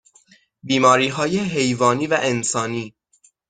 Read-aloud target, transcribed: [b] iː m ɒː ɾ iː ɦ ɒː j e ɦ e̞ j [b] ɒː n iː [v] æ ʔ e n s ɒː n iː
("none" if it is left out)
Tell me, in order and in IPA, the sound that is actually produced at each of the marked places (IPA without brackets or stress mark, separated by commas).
b, v, v